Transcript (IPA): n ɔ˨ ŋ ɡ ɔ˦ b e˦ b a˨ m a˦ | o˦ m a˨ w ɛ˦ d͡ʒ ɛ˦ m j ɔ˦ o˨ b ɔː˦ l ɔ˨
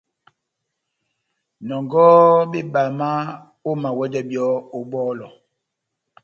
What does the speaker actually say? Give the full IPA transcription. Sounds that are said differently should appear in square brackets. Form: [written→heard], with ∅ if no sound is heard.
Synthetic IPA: n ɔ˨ ŋ ɡ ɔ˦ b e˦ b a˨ m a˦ | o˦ m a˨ w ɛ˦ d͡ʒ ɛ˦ [m→b] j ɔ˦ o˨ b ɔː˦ l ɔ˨